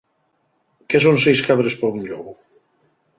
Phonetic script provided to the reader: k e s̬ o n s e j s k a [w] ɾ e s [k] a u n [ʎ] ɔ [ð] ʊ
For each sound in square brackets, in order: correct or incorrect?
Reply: incorrect, incorrect, correct, incorrect

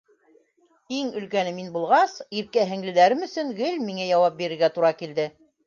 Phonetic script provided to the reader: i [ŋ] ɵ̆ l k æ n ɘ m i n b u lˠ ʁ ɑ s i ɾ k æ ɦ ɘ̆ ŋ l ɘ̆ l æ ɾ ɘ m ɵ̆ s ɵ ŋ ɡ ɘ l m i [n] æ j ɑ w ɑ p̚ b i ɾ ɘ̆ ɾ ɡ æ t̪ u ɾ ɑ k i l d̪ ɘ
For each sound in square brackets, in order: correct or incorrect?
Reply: correct, incorrect

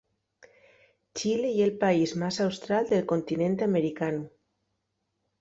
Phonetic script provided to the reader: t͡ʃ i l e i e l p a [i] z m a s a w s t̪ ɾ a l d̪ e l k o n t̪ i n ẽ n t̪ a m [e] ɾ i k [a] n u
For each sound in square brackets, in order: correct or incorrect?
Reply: correct, correct, correct

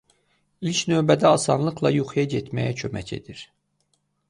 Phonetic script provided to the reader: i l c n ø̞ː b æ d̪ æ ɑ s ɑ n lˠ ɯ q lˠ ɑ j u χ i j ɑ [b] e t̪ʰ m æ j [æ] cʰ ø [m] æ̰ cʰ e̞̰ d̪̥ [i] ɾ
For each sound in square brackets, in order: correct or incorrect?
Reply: incorrect, correct, correct, correct

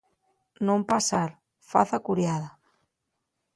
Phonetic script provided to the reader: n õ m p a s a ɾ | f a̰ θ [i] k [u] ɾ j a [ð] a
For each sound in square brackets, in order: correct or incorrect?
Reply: incorrect, correct, correct

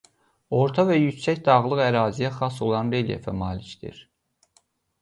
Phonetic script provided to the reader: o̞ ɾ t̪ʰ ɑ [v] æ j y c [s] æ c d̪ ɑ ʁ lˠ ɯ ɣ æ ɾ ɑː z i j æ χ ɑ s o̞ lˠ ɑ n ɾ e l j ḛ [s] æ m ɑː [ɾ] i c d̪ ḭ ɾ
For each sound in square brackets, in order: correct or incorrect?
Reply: correct, correct, incorrect, incorrect

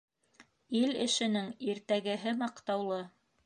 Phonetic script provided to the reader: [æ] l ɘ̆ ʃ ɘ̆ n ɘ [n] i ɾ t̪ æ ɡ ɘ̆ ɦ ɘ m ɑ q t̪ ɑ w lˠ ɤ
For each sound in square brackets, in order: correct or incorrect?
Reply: incorrect, incorrect

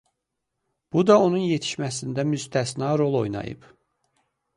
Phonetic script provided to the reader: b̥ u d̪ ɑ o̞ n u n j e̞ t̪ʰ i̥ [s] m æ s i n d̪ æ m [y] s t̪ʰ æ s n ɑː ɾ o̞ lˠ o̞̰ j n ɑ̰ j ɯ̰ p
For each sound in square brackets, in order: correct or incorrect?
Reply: incorrect, correct

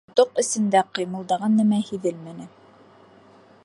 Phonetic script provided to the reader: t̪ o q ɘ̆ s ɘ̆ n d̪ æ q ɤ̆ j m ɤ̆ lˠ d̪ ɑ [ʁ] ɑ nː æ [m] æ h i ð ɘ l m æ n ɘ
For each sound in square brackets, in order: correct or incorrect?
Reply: correct, correct

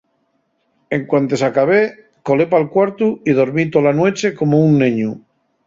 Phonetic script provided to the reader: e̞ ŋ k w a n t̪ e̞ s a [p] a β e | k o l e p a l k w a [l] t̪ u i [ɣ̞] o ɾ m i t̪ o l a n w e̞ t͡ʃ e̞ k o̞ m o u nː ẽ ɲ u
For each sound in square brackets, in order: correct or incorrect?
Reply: incorrect, incorrect, incorrect

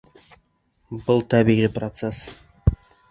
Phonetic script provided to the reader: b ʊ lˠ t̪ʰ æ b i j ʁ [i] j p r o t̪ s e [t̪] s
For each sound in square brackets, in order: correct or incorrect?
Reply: correct, incorrect

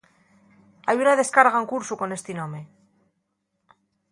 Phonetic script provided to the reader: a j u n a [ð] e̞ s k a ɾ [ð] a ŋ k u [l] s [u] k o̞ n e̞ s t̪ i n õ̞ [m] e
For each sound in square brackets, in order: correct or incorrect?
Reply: correct, incorrect, incorrect, correct, correct

